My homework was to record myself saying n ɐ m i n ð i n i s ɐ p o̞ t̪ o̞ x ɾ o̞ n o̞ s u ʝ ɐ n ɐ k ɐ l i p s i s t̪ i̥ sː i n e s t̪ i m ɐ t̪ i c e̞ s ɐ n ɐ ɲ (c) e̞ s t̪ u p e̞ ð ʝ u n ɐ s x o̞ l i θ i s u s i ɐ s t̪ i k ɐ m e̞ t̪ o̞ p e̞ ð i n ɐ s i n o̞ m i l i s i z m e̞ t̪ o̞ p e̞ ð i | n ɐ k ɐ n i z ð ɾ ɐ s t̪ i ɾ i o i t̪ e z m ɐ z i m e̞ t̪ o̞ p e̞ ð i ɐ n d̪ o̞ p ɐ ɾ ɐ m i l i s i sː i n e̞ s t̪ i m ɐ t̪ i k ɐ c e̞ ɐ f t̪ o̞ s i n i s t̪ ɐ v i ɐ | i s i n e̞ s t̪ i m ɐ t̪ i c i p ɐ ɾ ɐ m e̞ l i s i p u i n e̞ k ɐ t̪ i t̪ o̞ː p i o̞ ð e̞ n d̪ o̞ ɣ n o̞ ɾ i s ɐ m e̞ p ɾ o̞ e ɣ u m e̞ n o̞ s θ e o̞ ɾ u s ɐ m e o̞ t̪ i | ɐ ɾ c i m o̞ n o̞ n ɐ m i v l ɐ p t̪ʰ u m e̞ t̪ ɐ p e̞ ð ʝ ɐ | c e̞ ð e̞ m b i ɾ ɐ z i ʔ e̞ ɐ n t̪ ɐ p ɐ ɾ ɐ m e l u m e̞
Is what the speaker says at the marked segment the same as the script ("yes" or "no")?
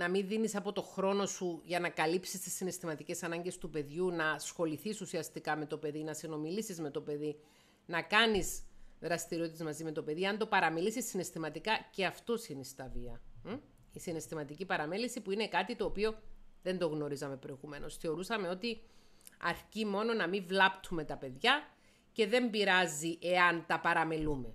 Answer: no